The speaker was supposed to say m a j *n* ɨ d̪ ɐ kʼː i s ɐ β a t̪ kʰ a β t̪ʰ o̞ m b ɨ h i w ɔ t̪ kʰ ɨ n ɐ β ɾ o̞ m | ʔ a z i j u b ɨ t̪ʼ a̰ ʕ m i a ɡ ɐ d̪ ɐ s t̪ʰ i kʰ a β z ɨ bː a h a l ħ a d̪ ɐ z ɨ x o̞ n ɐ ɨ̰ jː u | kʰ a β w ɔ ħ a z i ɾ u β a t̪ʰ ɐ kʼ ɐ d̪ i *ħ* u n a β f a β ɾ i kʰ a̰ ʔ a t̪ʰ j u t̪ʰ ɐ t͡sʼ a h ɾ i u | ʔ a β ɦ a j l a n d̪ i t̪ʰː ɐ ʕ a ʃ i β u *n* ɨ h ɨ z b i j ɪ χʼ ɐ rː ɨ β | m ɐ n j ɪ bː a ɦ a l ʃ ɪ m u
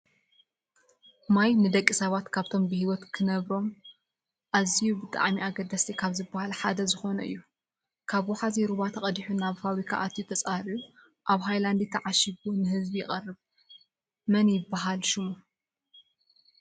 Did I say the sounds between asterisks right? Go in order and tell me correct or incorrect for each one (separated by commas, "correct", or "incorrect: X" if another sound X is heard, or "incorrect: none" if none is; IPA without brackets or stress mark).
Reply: correct, correct, correct